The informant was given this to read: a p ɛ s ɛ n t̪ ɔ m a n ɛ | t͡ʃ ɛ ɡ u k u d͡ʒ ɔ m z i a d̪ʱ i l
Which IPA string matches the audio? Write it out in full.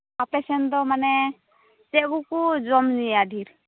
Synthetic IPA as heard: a p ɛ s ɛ n d̪ ɔ m a n ɛ | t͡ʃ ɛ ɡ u k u d͡ʒ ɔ m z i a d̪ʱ i ɾ